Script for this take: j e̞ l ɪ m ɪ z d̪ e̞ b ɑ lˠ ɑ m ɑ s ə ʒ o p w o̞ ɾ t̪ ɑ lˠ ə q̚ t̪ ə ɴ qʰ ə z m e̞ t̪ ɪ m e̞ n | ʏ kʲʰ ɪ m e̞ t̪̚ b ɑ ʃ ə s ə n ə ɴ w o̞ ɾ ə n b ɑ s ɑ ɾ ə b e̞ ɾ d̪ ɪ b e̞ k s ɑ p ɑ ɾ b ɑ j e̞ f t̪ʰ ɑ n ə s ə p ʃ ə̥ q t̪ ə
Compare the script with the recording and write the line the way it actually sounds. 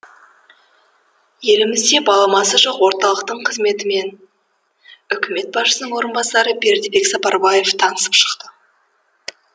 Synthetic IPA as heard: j e̞ l ɪ m ɪ z d̪ e̞ b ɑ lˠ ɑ m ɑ s ə ʒ o q w o̞ ɾ t̪ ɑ lˠ ə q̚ t̪ ə ɴ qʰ ə z m e̞ t̪ ɪ m e̞ n | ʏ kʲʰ ɪ m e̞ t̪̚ b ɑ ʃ ə s ə n ə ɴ w o̞ ɾ ə n b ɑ s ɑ ɾ ə b e̞ ɾ d̪ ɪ b e̞ k s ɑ p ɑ ɾ b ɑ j e̞ f t̪ʰ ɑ n ə s ə p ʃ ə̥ q t̪ ə